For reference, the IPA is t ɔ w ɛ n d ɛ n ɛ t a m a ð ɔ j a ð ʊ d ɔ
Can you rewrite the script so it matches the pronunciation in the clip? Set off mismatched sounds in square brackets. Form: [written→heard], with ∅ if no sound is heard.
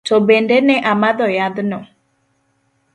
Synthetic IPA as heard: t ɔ [w→b] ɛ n d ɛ n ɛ [t→ʔ] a m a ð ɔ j a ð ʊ [d→n] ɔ